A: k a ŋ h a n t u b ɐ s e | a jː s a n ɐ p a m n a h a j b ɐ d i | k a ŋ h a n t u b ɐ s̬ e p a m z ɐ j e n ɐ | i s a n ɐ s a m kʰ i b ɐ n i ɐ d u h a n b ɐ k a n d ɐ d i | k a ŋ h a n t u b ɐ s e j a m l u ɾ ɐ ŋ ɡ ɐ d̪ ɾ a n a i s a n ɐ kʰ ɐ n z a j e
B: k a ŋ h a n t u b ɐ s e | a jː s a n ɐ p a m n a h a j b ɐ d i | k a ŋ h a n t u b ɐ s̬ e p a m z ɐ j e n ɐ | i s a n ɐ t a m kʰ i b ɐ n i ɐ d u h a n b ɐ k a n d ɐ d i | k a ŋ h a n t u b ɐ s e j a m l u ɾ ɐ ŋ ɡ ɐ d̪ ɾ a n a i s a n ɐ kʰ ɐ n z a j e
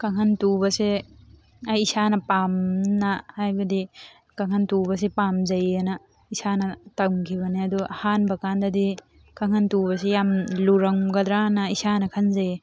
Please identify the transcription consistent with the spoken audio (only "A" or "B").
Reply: B